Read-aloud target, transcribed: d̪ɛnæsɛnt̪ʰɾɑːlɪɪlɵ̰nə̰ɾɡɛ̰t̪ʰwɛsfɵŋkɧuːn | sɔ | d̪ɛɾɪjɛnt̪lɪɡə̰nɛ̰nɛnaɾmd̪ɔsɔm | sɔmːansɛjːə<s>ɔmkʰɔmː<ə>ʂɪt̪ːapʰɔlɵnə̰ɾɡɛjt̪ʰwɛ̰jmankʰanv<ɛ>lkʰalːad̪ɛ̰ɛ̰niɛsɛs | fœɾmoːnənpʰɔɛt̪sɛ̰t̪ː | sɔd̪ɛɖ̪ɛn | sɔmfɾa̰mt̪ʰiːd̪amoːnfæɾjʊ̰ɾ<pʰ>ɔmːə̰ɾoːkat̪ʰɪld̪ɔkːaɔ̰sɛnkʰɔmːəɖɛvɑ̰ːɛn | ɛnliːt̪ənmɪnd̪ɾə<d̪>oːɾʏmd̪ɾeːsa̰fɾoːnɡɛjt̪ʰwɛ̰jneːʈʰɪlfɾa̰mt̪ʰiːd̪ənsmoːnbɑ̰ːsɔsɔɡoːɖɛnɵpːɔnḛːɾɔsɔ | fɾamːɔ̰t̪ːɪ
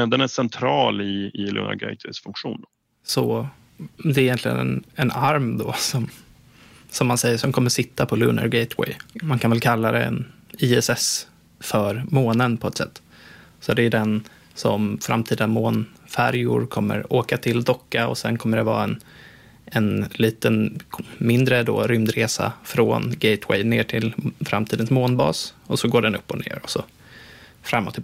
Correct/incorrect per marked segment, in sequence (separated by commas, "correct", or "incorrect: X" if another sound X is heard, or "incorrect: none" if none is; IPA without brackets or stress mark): incorrect: ʂ, correct, correct, incorrect: kʰ, correct